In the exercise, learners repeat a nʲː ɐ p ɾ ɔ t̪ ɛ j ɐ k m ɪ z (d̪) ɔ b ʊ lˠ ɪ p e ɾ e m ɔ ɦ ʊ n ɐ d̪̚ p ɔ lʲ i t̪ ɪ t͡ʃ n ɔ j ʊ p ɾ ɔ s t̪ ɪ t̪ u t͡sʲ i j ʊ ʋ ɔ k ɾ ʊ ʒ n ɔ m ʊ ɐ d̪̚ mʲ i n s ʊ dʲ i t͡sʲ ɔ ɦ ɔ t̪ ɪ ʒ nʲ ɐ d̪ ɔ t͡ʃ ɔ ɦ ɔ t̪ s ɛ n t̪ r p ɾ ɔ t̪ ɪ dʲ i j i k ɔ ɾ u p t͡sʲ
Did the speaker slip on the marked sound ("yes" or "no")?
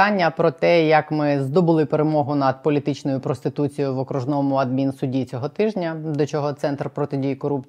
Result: no